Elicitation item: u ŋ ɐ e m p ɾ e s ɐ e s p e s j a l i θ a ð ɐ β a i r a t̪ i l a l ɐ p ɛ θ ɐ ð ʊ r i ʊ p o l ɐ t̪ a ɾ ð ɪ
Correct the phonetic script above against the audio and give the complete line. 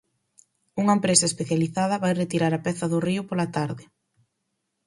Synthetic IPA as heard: u ŋ ɐ e m p ɾ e s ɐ e s p e θ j a l i θ a ð ɐ β a j r e t̪ i ɾ a ɾ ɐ p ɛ θ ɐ ð ʊ r i ʊ p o l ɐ t̪ a ɾ ð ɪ